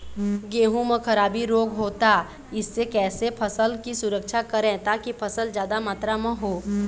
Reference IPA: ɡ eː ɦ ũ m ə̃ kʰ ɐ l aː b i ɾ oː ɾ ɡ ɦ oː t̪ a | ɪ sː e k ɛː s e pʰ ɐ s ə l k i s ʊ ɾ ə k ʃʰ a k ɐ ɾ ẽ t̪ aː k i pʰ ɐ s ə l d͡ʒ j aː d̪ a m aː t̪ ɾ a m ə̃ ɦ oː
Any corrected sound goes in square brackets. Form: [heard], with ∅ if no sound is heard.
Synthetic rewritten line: ɡ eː ɦ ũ m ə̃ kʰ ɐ [ɾ] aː b i ɾ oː [∅] ɡ ɦ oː t̪ a | ɪ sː e k ɛː s e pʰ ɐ s ə l k i s ʊ ɾ ə k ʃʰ a k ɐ ɾ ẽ t̪ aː k i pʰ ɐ s ə l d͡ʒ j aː d̪ a m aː t̪ ɾ a m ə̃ ɦ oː

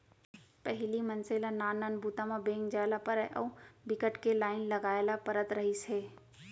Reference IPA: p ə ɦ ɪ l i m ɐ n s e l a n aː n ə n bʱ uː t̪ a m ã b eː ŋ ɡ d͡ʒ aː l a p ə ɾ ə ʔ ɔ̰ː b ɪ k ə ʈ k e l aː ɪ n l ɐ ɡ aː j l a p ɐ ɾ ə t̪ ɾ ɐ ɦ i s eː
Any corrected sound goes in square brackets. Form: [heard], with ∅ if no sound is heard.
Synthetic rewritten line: p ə ɦ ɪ l i m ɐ n s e l a n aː n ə n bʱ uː t̪ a m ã b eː ŋ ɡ d͡ʒ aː l a p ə ɾ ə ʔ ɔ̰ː b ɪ k ə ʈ k e l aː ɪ n l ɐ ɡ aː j l a p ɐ ɾ ə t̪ ɾ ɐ ɦ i s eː

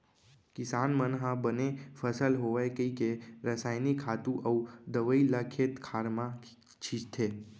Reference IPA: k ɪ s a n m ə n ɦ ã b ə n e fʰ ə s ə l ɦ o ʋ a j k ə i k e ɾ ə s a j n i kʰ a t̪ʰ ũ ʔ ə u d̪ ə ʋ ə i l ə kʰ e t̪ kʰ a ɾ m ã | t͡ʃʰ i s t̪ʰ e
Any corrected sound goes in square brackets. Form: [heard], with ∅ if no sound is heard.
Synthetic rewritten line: k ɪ s a n m ə n ɦ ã b ə n e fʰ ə s ə l ɦ o ʋ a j k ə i k e ɾ ə s a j n i kʰ a [t̪] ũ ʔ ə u d̪ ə ʋ ə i l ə kʰ e t̪ kʰ a ɾ m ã | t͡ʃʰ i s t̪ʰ e

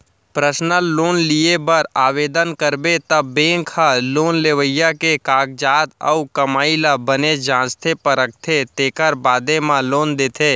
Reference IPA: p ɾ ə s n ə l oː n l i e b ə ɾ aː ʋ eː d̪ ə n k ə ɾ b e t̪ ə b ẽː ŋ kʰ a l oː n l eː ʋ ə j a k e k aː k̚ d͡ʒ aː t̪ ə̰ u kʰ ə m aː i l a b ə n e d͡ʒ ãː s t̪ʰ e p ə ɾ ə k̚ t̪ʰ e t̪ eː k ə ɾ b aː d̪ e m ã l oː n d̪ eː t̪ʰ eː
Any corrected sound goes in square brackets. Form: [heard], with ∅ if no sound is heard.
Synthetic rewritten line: p ɾ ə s n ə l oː n l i e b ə ɾ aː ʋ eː d̪ ə n k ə ɾ b e t̪ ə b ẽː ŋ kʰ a l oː n l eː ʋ ə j a k e k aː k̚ d͡ʒ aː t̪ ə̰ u [k] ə m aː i l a b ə n e d͡ʒ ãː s t̪ʰ e p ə ɾ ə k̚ t̪ʰ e t̪ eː k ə ɾ b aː d̪ e m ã l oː n d̪ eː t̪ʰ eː

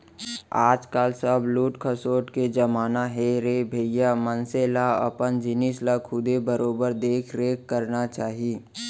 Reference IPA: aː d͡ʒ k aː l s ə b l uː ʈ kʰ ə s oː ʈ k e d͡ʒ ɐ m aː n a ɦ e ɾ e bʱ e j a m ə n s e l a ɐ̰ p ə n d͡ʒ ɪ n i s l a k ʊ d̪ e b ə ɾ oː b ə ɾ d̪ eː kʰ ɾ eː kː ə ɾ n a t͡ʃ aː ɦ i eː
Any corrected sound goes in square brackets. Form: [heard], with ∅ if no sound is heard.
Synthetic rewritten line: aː d͡ʒ k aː l s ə b l uː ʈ kʰ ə s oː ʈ k e d͡ʒ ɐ m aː n a ɦ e ɾ e bʱ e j a m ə n s e l a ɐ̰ p ə n d͡ʒ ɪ n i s l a [kʰ] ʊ d̪ e b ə ɾ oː b ə ɾ d̪ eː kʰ ɾ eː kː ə ɾ n a t͡ʃ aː ɦ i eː

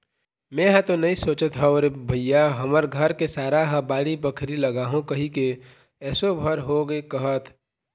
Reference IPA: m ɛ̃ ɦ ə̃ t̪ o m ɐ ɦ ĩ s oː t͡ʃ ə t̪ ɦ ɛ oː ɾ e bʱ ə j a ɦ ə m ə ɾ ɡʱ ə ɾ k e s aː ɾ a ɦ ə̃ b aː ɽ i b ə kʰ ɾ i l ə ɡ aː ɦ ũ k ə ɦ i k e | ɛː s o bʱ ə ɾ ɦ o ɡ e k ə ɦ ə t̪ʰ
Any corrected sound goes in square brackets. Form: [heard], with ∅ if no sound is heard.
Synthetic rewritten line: m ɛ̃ ɦ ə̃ t̪ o [n] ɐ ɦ ĩ s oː t͡ʃ ə t̪ ɦ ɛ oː ɾ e bʱ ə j a ɦ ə m ə ɾ ɡʱ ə ɾ k e s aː ɾ a ɦ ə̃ b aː ɽ i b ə kʰ ɾ i l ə ɡ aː ɦ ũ k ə ɦ i k e | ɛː s o bʱ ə ɾ ɦ o ɡ e k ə ɦ ə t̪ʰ

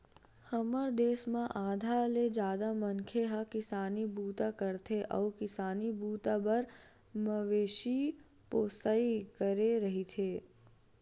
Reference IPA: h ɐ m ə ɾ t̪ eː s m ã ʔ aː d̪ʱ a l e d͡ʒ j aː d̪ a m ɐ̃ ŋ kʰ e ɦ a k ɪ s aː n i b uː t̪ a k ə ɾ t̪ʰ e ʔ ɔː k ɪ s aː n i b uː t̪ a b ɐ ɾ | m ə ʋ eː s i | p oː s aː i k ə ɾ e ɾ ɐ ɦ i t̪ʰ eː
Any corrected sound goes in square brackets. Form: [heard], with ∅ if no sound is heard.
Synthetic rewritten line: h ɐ m ə ɾ [d̪] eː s m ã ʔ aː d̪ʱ a l e d͡ʒ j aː d̪ a m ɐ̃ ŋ kʰ e ɦ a k ɪ s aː n i b uː t̪ a k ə ɾ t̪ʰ e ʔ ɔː k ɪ s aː n i b uː t̪ a b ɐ ɾ | m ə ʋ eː [ʃ] i | p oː s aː i k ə ɾ e ɾ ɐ ɦ i t̪ʰ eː

